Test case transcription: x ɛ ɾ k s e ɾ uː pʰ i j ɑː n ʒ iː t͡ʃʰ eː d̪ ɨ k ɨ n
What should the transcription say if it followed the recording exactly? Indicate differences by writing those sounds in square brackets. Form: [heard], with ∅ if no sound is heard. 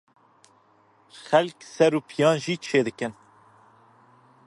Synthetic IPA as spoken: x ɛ [l] k s [ɛ] ɾ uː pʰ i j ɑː n ʒ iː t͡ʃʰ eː d̪ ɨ k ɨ n

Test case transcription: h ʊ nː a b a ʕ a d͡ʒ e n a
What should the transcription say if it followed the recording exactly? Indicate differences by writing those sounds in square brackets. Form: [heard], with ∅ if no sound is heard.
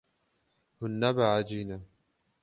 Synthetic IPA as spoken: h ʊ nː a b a ʕ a d͡ʒ [i] n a

